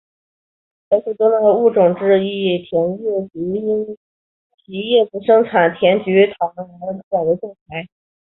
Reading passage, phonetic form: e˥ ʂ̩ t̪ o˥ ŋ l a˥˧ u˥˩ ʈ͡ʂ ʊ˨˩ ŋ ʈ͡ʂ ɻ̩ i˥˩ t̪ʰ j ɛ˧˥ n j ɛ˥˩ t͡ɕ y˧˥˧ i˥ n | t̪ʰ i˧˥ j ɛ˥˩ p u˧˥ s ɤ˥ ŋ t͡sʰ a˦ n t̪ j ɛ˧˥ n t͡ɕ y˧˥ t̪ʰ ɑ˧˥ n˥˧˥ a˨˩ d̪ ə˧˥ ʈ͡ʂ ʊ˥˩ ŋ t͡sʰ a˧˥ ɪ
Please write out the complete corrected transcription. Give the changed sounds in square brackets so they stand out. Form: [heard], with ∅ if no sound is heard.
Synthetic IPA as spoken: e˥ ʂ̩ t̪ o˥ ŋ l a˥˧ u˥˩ ʈ͡ʂ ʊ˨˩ ŋ ʈ͡ʂ ɻ̩ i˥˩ t̪ʰ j ɛ˧˥ n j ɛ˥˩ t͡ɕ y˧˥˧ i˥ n | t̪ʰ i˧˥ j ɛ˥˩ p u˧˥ [ʂ] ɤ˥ ŋ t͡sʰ [a˨˩] n [t̪ʰ] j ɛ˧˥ n t͡ɕ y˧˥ t̪ʰ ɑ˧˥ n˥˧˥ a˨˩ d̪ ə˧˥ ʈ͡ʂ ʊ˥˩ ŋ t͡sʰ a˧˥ ɪ